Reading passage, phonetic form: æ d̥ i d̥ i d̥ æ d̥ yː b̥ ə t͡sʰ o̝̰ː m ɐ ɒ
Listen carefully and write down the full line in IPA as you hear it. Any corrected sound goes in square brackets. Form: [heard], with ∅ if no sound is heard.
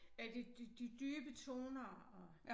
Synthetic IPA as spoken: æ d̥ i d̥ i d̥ [i] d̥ yː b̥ ə t͡sʰ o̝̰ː [n] ɐ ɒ